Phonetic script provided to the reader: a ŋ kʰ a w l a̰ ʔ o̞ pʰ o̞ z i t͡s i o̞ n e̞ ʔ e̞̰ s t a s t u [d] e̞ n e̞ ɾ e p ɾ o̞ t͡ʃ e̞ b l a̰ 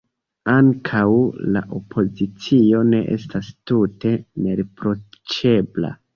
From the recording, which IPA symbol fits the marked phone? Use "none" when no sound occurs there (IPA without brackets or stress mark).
t